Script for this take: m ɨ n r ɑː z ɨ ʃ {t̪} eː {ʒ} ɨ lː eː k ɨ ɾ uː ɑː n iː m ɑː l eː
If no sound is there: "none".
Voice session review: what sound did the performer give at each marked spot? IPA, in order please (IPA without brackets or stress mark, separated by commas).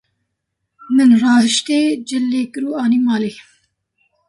t̪, d͡ʒ